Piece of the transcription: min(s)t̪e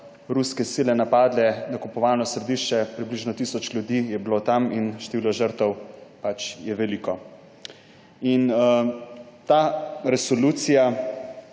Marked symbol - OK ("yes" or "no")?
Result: no